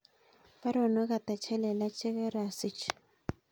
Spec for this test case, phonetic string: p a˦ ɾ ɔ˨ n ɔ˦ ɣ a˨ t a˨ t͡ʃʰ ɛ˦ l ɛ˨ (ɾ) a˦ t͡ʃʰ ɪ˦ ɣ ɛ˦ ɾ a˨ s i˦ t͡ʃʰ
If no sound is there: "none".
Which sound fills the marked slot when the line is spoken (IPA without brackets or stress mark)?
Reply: l